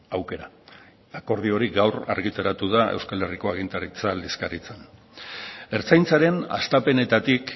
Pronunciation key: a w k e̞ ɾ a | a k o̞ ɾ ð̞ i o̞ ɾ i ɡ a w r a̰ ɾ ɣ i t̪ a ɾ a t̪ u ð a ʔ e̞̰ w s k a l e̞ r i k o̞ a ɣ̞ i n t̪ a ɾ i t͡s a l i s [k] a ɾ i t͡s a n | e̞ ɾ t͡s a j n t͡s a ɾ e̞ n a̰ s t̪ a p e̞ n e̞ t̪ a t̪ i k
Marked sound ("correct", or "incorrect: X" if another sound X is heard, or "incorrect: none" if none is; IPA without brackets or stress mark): correct